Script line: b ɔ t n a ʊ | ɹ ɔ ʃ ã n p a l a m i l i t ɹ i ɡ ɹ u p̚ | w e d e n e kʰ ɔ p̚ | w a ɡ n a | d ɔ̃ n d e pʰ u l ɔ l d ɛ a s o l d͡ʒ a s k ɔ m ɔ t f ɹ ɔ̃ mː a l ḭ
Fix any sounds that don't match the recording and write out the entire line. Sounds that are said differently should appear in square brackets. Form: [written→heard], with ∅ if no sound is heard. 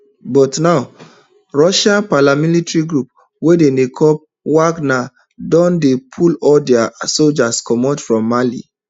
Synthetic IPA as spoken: b ɔ t n a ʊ | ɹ ɔ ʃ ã n p a l a m i l i t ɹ i ɡ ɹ u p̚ | w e d e n e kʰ ɔ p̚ | w a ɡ n a | d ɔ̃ n d e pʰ u l ɔ l d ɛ a s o l d͡ʒ a s k ɔ m ɔ t f ɹ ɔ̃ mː a l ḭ